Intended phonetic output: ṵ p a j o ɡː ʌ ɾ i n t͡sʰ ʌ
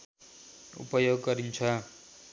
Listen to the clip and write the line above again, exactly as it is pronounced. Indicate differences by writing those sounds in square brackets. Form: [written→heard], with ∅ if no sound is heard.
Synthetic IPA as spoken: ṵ p [a→ʌ] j o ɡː ʌ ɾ i n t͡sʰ ʌ